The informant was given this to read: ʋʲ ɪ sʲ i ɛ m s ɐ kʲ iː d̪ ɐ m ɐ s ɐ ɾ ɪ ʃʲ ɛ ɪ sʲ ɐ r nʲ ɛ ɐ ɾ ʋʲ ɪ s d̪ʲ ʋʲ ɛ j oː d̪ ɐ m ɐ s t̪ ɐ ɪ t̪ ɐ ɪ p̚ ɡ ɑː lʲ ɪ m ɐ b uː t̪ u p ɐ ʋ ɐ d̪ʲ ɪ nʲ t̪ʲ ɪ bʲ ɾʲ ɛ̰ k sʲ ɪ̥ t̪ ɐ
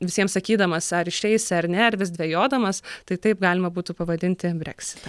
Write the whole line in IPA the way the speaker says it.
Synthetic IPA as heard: ʋʲ ɪ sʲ i ɛ m s ɐ kʲ iː d̪ ɐ m ɐ s ɐ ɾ ɪ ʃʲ ɛ ɪ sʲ ɐ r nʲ ɛ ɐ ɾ ʋʲ ɪ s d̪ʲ ʋʲ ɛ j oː d̪ ɐ m ɐ s t̪ ɐ ɪ t̪ ɐ ɪ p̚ ɡ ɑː lʲ ɪ m ɐ b uː t̪ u p ɐ ʋ ɐ d̪ʲ ɪ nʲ t̪ʲ ɪ bʲ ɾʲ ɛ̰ k sʲ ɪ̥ t̪ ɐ